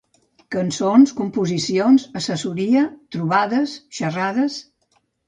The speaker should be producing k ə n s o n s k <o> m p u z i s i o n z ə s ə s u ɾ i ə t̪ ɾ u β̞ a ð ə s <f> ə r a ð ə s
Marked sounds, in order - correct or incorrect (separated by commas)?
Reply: incorrect, incorrect